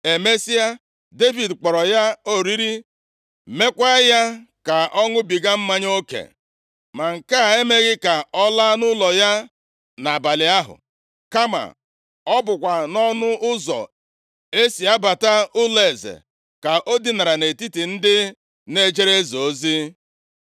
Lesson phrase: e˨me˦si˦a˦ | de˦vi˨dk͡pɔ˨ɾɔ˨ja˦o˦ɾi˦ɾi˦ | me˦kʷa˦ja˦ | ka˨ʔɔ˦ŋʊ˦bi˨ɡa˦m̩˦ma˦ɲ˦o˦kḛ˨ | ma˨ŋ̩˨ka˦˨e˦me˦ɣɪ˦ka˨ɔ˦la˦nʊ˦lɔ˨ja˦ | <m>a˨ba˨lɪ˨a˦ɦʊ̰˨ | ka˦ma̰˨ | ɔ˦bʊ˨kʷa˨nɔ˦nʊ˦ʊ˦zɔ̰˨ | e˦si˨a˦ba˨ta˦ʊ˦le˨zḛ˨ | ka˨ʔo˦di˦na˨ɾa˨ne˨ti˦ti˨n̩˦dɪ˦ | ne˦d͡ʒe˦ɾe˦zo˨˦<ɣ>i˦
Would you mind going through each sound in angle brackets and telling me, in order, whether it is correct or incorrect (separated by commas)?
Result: incorrect, incorrect